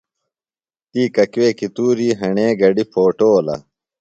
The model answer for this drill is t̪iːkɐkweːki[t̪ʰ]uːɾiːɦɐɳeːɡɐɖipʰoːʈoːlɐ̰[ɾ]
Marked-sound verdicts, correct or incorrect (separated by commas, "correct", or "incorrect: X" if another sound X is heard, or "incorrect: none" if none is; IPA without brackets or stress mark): incorrect: t̪, incorrect: none